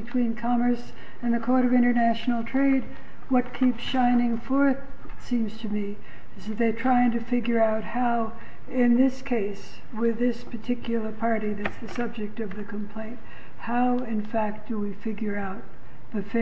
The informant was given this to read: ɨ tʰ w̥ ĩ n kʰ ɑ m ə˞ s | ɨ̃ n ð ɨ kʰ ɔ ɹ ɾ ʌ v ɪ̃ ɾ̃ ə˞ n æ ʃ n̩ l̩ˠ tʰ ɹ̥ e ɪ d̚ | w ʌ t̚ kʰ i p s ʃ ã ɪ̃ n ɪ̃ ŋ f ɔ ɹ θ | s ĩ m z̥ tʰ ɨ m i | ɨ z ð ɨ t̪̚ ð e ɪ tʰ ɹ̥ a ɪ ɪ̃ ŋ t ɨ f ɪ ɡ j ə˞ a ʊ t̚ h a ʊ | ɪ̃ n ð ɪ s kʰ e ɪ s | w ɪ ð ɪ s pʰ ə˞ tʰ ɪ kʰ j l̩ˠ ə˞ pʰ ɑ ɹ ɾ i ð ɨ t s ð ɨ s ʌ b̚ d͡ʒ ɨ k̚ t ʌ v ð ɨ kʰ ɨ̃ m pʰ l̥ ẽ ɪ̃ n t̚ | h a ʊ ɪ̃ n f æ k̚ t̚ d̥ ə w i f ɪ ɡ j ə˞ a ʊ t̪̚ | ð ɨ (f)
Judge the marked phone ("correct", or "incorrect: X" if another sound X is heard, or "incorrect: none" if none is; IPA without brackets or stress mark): correct